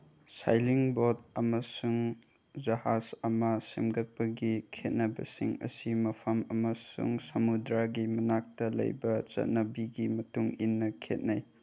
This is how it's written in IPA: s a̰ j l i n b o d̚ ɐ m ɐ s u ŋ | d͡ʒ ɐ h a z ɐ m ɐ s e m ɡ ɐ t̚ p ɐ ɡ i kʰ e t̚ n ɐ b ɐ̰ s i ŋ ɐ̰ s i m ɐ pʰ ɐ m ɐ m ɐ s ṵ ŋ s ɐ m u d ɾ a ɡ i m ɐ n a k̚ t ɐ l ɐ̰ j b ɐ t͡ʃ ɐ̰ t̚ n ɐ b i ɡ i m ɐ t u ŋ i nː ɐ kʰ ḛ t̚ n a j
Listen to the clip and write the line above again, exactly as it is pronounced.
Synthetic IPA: s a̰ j l i ŋ b o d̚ ɐ m ɐ s u ŋ | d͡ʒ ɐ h a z ɐ m ɐ s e m ɡ ɐ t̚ p ɐ ɡ i kʰ e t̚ n ɐ b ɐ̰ s i ŋ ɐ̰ s i m ɐ pʰ ɐ m ɐ m ɐ s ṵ ŋ s ɐ m u d ɾ a ɡ i m ɐ n a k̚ t ɐ l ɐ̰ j b ɐ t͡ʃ ɐ̰ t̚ n ɐ b i ɡ i m ɐ t u ŋ i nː ɐ kʰ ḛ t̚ n a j